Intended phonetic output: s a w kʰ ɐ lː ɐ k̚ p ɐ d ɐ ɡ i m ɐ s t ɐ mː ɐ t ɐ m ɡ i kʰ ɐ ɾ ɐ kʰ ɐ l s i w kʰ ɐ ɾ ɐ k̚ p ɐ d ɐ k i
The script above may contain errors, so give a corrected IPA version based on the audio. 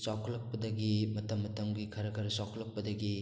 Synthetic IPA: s a w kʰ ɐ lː ɐ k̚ p ɐ d ɐ ɡ i m ɐ t ɐ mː ɐ t ɐ m ɡ i kʰ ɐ ɾ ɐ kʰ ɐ ɾ s a w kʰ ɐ l ɐ k̚ p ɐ d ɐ ɡ i